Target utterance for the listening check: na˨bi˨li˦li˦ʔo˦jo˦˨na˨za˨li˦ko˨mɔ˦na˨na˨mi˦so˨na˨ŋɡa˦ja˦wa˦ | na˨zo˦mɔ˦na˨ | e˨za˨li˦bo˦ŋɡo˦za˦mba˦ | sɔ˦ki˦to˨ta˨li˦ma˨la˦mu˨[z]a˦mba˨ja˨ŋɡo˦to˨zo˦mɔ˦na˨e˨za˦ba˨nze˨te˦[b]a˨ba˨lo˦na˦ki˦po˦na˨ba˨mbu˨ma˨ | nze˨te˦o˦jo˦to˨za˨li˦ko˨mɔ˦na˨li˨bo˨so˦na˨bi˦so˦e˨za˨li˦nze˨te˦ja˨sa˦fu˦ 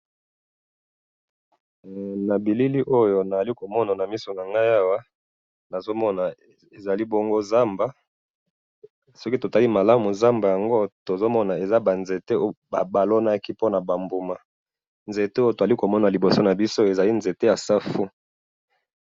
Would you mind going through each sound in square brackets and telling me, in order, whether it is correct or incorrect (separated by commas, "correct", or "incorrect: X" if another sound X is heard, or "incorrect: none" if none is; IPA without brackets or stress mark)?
correct, correct